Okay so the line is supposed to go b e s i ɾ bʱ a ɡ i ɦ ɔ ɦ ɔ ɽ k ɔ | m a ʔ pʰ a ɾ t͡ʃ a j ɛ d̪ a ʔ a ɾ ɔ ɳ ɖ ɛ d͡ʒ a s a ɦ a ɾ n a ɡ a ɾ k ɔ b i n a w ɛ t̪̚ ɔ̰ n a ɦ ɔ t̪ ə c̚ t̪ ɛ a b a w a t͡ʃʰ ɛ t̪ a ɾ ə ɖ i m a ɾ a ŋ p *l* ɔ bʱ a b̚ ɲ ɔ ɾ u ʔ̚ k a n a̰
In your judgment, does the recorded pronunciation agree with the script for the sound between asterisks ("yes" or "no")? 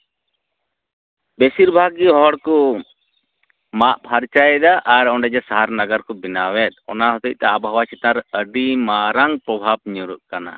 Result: no